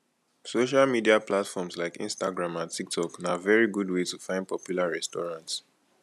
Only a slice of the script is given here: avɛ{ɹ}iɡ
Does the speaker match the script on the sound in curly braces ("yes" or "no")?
yes